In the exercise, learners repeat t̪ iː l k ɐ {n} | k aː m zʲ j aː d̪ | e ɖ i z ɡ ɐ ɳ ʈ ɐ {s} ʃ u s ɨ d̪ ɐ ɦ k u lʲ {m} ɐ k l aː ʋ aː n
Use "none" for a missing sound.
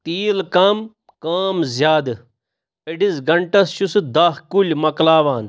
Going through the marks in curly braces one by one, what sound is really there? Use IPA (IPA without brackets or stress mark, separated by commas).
m, s, m